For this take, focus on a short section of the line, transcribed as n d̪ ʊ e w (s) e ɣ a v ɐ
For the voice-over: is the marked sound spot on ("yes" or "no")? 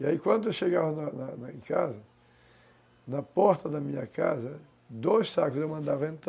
no